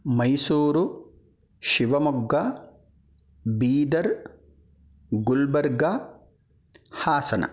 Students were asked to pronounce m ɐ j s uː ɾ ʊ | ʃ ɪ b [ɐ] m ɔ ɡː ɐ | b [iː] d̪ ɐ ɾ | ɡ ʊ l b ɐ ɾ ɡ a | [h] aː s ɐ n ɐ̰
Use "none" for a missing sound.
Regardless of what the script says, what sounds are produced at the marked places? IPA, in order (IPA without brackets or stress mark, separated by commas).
ɐ, iː, h